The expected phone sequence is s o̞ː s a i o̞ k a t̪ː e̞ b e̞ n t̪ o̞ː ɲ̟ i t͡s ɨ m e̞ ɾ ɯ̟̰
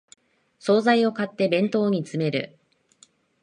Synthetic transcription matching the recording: s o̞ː z a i o̞ k a t̪ː e̞ b ẽ̞ n t̪ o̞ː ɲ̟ i t͡s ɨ m e̞ ɾ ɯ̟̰